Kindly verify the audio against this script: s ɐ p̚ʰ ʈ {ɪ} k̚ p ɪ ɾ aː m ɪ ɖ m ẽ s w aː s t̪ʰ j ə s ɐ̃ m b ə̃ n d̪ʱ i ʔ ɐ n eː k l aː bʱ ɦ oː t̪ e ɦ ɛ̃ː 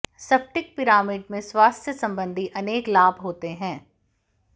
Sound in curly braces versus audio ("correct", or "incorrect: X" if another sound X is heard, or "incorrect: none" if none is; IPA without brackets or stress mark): correct